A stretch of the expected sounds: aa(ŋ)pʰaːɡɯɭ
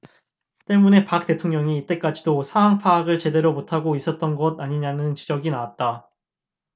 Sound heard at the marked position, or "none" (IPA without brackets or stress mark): ŋ